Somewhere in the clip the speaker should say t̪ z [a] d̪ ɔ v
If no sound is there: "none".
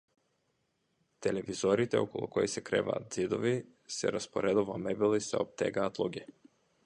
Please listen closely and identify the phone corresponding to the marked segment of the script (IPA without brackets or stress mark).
i